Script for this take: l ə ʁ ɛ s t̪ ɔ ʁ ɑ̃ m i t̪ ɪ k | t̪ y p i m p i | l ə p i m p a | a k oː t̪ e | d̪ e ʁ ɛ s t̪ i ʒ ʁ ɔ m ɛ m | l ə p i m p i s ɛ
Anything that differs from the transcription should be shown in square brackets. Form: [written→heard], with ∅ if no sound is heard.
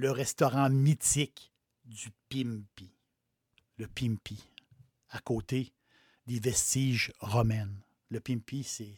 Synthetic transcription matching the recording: l ə ʁ ɛ s t̪ ɔ ʁ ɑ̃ m i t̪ ɪ k | [t̪→d̪] y p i m p i | l ə p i m p [a→i] | a k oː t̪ e | d̪ e [ʁ→v] ɛ s t̪ i ʒ ʁ ɔ m ɛ [m→n] | l ə p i m p i s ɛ